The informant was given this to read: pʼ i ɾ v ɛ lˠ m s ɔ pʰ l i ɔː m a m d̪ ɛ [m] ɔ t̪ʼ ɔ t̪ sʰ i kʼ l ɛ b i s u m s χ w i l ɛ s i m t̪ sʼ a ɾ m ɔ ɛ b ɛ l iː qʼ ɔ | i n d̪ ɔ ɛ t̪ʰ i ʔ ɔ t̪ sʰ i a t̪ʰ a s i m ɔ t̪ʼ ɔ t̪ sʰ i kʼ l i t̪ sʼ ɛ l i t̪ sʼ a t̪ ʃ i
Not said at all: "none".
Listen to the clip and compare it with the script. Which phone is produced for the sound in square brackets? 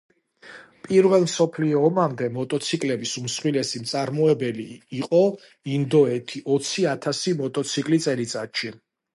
m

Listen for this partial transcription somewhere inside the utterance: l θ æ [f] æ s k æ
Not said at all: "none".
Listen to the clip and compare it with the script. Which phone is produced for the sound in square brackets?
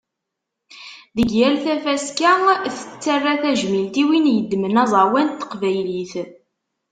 f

